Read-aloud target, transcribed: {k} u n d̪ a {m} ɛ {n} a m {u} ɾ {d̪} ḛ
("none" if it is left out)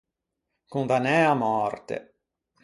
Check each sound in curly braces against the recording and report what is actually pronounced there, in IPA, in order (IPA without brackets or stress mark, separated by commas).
k, n, none, ɔ, t̪